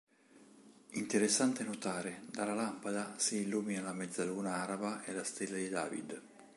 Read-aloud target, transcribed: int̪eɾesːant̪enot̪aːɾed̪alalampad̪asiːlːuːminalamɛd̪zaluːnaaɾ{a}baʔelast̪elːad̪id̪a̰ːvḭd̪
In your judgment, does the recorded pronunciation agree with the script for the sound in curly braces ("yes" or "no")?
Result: yes